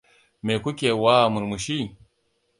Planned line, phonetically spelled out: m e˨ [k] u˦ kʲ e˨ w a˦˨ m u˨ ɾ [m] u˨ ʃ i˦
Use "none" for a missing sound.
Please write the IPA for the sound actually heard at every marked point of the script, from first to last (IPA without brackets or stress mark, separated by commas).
k, m